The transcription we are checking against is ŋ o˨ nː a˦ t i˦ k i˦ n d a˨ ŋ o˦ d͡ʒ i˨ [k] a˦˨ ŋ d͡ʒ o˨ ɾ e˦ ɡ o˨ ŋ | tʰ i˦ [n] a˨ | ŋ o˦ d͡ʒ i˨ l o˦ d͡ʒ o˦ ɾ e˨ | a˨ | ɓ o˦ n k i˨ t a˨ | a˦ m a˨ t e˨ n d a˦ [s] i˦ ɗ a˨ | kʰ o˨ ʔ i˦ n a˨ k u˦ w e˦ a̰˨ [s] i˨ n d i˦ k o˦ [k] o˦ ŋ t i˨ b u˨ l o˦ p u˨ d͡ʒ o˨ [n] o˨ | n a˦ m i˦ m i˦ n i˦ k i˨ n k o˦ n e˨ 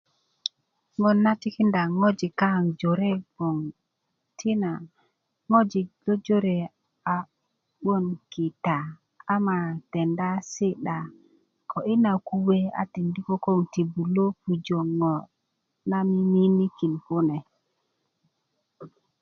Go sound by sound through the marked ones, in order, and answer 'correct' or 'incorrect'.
correct, correct, correct, incorrect: t, correct, incorrect: ŋ

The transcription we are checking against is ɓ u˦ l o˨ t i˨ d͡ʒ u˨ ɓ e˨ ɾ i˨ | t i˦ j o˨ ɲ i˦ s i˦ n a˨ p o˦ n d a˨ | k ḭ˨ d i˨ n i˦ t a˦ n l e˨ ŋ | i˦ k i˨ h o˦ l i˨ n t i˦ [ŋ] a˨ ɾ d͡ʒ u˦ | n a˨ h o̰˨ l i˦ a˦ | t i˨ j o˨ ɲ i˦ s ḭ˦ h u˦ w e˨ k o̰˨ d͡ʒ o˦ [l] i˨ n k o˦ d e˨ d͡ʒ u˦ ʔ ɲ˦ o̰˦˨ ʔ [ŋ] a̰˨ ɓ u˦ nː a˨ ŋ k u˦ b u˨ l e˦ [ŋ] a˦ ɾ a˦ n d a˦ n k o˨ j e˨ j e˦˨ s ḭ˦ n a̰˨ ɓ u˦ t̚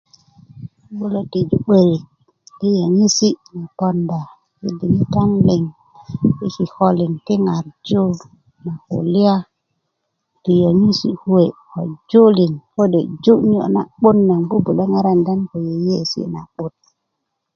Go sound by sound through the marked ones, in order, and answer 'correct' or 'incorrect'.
correct, correct, incorrect: n, correct

